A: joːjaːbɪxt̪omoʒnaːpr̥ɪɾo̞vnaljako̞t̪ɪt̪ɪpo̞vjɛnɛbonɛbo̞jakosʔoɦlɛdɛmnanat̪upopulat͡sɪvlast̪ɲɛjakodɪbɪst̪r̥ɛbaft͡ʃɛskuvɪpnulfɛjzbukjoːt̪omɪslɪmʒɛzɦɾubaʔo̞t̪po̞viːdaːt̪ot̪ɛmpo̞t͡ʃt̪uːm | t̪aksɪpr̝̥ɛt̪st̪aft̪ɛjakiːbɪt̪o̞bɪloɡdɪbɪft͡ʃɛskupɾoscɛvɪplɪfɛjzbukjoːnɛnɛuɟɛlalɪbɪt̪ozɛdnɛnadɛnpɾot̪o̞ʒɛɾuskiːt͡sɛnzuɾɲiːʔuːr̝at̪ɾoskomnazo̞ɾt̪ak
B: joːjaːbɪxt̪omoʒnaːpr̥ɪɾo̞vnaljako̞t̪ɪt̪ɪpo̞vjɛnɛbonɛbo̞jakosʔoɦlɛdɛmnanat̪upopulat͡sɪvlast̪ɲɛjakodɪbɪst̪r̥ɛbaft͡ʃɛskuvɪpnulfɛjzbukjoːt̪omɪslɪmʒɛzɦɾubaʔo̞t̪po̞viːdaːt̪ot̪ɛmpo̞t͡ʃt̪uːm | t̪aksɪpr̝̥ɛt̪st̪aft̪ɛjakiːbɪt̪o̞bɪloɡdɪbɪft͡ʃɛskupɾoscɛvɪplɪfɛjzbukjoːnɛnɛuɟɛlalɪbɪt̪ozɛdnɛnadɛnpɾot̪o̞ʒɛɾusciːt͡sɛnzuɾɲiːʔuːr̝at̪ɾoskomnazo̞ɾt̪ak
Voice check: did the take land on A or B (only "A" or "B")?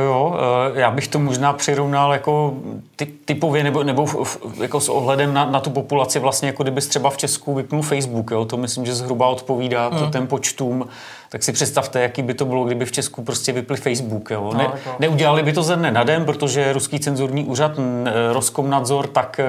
A